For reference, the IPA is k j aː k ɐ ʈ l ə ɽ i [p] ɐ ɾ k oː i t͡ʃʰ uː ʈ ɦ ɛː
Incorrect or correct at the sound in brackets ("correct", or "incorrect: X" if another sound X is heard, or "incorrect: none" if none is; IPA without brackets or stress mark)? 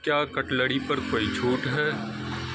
correct